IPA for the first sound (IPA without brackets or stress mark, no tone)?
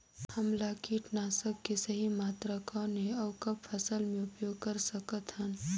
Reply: h